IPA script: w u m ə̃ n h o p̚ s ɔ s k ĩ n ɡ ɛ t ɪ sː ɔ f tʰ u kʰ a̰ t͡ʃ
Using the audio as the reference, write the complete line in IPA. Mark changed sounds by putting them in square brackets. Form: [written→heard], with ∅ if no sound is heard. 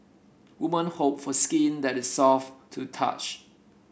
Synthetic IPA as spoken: w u m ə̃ n h o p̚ [s→f] ɔ s k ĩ n [ɡ→d] ɛ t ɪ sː ɔ f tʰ u [kʰ→tʰ] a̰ t͡ʃ